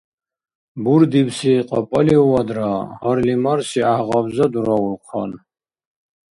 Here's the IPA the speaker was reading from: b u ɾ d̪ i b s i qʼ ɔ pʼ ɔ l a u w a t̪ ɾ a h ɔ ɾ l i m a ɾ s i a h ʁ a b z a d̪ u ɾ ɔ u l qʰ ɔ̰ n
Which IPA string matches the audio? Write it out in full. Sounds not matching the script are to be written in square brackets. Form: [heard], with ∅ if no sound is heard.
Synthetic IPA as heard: b u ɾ d̪ i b s i qʼ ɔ pʼ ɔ l [i] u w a [d̪] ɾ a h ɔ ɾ l i m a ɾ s i a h ʁ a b z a d̪ u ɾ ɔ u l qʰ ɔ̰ n